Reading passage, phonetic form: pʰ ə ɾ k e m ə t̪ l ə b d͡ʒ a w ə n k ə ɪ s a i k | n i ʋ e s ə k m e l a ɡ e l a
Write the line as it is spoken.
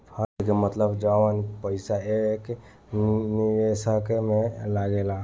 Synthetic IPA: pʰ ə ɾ k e m ə t̪ l ə b d͡ʒ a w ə n p ə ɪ s a e k | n i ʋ e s ə k m e l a ɡ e l a